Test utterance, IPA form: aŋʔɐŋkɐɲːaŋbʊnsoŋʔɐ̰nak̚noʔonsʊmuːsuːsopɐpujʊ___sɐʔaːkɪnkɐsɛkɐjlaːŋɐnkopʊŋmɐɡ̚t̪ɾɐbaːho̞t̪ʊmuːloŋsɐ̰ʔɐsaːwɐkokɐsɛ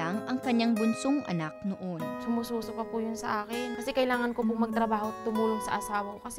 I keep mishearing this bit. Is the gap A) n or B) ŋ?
A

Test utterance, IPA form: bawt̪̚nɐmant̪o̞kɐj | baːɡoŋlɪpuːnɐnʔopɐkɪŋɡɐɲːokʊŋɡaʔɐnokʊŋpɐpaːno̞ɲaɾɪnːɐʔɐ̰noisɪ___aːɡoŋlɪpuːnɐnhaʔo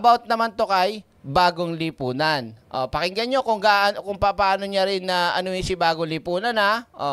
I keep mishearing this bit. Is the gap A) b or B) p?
A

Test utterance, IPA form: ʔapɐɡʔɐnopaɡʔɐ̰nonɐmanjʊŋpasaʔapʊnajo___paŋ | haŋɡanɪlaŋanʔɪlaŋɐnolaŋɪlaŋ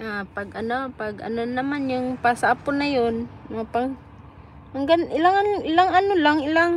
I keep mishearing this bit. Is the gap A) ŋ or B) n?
B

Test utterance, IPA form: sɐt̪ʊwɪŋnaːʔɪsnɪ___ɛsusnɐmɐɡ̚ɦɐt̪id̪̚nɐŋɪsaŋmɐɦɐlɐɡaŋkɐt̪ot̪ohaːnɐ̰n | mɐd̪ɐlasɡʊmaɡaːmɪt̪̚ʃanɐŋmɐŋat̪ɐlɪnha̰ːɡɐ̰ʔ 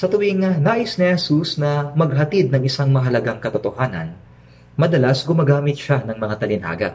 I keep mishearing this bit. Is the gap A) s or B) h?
B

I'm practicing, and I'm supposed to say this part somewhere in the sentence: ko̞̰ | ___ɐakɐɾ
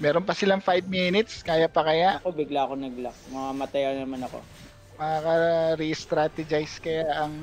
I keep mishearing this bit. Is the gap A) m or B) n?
A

